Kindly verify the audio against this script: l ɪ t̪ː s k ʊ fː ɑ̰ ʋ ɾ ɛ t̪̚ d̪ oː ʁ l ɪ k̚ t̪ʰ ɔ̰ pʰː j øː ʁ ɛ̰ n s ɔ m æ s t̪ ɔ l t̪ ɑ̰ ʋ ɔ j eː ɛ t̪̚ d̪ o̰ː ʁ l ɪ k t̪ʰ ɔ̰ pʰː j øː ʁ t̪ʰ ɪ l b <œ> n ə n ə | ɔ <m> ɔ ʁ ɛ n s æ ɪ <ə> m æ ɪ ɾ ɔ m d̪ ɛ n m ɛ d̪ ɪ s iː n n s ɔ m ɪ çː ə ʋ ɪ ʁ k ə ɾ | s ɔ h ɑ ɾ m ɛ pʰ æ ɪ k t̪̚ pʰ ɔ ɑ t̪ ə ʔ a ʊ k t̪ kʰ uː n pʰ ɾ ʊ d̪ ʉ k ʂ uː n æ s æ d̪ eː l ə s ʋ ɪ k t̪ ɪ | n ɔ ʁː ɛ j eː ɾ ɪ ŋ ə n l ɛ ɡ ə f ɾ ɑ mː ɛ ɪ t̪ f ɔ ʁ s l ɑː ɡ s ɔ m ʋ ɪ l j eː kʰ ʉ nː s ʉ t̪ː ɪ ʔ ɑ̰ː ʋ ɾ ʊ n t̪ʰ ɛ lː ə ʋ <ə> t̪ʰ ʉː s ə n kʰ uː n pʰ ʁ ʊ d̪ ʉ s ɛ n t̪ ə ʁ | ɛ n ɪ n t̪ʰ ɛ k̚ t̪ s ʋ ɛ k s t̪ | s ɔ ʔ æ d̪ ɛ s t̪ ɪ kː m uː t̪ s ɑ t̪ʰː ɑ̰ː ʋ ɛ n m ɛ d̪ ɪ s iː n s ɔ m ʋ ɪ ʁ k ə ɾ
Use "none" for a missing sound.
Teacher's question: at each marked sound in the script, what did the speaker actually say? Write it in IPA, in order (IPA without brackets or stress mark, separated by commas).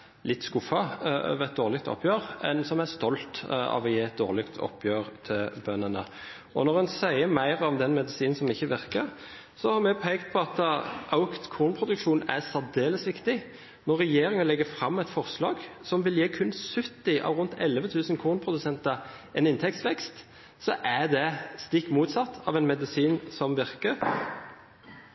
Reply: œ, n, ə, ə